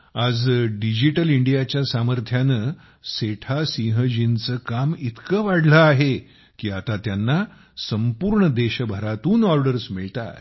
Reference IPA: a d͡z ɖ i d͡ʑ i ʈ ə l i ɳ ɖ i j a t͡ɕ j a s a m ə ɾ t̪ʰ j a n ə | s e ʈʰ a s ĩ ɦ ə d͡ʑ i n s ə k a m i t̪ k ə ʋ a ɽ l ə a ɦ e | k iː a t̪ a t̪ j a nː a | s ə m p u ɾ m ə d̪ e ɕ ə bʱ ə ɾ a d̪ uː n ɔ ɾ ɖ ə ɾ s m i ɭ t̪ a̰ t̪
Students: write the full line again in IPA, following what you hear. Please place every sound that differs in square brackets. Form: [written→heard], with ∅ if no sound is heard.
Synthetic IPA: a d͡z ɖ i d͡ʑ i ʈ ə l i ɳ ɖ i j a t͡ɕ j a s a m ə ɾ t̪ʰ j a n ə | s e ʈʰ a s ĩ ɦ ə d͡ʑ i n [s→t͡s] ə k a m i t̪ k ə ʋ a ɽ l ə a ɦ e | k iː a t̪ a t̪ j a nː a | s ə m p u ɾ [m→ɳ] ə d̪ e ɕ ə bʱ ə ɾ a [d̪→t̪] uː n ɔ ɾ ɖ ə ɾ s m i ɭ t̪ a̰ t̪